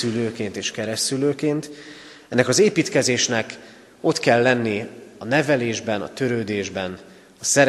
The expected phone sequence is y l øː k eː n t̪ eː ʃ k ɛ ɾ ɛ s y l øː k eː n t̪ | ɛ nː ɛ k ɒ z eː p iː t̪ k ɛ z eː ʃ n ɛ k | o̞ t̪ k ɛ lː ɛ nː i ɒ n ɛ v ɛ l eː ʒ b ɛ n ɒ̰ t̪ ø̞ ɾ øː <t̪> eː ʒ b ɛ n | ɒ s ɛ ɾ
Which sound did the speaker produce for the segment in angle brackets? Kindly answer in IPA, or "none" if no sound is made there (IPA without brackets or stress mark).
d̪